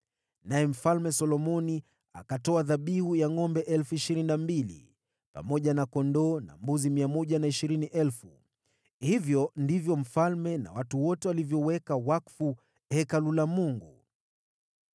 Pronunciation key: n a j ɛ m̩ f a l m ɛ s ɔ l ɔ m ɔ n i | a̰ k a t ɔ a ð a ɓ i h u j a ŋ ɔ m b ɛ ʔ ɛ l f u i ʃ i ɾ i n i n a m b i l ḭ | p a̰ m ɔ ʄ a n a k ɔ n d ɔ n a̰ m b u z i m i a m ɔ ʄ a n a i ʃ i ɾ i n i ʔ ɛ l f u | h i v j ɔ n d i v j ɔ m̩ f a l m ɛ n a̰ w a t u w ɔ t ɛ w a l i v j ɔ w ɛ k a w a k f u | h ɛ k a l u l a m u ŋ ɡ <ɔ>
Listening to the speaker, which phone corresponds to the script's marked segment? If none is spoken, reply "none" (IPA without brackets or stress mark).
u